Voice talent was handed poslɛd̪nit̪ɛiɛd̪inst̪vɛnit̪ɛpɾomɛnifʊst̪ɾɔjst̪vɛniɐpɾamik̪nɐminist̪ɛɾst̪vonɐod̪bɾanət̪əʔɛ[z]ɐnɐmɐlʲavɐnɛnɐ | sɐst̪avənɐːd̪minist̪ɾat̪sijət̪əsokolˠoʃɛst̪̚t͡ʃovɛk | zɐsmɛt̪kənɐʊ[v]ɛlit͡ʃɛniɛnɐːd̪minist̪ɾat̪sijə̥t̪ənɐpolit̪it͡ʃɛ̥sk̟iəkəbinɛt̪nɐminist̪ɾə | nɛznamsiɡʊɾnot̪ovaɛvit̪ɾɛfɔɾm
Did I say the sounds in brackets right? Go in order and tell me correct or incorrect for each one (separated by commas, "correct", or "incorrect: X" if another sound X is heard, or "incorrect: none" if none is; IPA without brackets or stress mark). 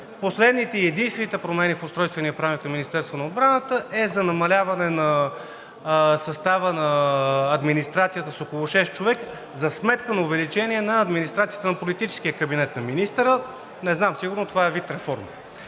correct, correct